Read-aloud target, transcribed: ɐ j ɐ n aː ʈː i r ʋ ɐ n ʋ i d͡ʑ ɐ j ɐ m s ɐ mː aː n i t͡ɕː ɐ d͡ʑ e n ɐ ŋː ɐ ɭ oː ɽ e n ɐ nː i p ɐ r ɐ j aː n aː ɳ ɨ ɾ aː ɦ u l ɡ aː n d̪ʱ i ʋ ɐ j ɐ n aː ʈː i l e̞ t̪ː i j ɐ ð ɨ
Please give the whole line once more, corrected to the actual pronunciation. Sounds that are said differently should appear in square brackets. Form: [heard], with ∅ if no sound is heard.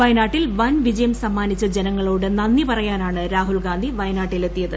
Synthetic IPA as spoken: ɐ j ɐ n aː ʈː i [l] ʋ ɐ n ʋ i d͡ʑ ɐ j ɐ m s ɐ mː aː n i t͡ɕː ɐ d͡ʑ e n ɐ ŋː ɐ ɭ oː ɽ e n ɐ nː i p ɐ r ɐ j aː n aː ɳ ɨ ɾ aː ɦ u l ɡ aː n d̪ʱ i ʋ ɐ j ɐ n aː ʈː i l e̞ t̪ː i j ɐ ð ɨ